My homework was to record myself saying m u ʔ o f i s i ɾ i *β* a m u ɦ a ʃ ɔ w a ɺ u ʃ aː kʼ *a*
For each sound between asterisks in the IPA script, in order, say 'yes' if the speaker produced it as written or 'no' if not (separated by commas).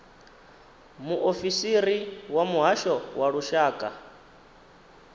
no, yes